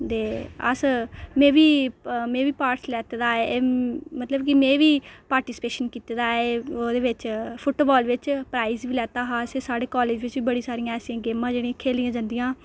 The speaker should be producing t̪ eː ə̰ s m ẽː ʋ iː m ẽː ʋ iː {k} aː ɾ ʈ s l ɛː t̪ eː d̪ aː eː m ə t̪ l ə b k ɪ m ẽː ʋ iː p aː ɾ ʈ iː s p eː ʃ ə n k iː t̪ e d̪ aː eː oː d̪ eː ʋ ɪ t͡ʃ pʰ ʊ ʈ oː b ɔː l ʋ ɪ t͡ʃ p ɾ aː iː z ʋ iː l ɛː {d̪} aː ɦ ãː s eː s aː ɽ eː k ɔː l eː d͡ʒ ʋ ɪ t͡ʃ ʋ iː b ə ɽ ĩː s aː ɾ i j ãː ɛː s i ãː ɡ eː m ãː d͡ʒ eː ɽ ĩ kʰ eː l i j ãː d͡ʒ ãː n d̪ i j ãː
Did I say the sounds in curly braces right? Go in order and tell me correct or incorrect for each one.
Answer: incorrect: p, incorrect: t̪

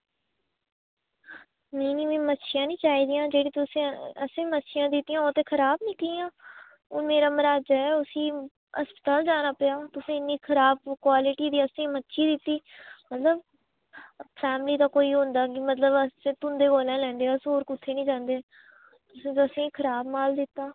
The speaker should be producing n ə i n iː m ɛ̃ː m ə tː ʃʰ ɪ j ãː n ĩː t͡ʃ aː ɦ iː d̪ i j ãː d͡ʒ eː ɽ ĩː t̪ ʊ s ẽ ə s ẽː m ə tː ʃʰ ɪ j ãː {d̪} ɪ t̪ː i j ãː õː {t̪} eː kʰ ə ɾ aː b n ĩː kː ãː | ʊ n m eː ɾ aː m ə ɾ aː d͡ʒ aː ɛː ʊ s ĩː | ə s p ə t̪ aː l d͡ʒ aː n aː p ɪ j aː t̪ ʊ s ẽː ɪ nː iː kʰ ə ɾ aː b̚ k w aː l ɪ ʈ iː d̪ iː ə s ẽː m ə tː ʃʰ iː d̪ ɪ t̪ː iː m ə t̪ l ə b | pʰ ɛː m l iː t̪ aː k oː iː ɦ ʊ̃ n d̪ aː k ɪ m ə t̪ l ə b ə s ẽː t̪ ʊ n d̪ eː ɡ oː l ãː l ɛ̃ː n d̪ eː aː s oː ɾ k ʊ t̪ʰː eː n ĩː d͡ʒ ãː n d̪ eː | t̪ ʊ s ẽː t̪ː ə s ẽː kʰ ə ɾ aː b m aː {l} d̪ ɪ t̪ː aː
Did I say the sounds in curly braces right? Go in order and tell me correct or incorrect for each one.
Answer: correct, correct, correct

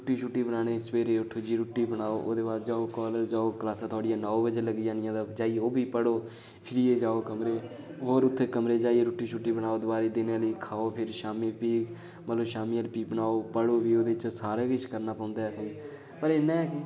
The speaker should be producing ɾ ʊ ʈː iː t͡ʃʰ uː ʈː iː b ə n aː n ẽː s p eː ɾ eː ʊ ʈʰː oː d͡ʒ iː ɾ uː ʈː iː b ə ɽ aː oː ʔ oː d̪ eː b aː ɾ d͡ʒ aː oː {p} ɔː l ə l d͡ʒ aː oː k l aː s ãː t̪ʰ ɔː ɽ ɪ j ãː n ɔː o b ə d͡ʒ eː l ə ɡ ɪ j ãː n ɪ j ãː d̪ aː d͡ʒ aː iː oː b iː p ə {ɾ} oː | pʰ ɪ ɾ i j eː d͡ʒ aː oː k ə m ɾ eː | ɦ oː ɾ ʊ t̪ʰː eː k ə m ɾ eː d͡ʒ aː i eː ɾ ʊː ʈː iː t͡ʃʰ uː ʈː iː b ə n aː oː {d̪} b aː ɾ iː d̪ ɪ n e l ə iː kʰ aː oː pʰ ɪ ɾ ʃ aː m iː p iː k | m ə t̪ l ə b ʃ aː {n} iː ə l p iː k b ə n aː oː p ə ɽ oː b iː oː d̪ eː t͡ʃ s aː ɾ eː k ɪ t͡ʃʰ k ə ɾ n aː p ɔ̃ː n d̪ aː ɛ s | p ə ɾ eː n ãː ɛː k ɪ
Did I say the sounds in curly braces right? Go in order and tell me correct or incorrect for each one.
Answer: incorrect: k, incorrect: ɽ, correct, incorrect: m

